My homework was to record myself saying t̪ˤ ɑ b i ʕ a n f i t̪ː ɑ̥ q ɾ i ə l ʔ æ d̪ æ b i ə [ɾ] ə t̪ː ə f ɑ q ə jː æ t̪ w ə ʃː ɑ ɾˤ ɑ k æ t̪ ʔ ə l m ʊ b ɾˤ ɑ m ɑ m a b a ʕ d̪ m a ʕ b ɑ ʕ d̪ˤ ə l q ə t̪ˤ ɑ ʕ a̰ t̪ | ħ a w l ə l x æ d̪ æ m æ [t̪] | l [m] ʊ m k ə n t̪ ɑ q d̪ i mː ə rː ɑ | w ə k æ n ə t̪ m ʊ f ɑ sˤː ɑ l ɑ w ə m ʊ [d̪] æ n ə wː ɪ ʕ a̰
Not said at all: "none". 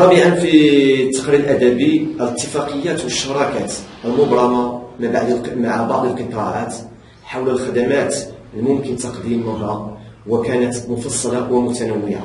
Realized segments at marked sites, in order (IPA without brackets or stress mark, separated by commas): l, t̪, m, t̪